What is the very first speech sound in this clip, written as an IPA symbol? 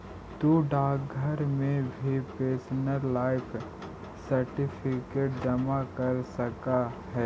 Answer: t̪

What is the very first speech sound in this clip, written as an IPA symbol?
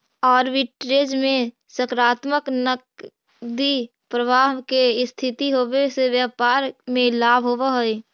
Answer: ɔː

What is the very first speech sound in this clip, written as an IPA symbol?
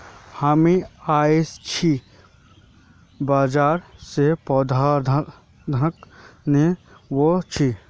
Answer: h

